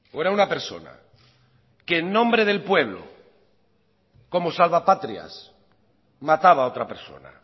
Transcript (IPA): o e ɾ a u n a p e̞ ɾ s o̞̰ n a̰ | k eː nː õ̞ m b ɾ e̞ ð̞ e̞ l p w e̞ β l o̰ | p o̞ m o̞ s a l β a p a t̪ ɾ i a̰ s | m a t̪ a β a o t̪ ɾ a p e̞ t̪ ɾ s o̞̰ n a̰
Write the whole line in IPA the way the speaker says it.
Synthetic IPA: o e ɾ a u n a p e̞ ɾ s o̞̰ n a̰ | k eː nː õ̞ m b ɾ e̞ ð̞ e̞ l p w e̞ β l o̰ | k o̞ m o̞ s a l β a p a t̪ ɾ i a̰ s | m a t̪ a β a o t̪ ɾ a p e̞ ɾ s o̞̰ n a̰